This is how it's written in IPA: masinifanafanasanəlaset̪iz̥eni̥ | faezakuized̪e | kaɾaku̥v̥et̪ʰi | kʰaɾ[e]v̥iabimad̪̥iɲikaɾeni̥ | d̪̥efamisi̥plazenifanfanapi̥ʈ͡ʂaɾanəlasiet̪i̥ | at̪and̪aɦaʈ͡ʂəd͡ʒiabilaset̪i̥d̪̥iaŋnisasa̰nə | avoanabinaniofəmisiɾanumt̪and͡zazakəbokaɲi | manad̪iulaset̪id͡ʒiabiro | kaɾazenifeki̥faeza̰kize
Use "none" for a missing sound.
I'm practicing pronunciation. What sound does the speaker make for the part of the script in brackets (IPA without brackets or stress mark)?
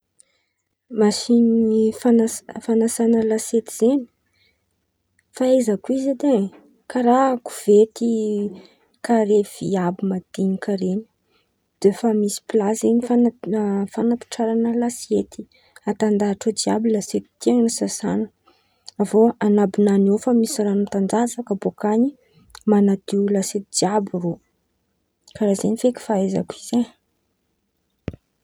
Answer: e